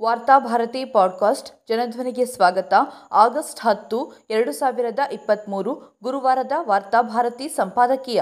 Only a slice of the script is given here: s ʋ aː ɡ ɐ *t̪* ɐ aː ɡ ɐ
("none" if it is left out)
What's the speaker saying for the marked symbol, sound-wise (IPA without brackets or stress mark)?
t̪